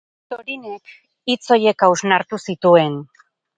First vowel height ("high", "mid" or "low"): mid